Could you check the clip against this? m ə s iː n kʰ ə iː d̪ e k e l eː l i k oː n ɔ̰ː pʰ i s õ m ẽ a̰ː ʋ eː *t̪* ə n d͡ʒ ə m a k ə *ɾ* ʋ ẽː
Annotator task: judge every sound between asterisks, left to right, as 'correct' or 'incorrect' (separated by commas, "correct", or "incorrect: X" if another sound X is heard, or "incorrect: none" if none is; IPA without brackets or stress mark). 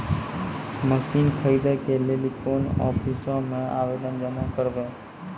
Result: incorrect: d̪, correct